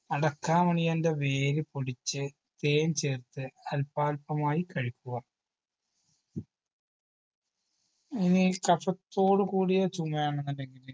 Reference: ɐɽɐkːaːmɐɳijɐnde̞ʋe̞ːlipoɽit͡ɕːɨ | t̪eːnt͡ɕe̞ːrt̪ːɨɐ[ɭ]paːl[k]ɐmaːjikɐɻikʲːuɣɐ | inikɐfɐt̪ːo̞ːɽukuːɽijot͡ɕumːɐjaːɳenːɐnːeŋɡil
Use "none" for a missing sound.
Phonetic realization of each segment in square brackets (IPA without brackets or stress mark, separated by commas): l, p